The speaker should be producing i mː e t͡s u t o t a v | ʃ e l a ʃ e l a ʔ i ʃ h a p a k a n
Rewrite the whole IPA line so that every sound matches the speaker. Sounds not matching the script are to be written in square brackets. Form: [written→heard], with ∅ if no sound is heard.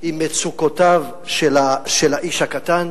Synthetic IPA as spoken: i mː e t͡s u [t→k] o t a v | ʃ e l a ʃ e l a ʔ i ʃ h a [p→k] a [k→t] a n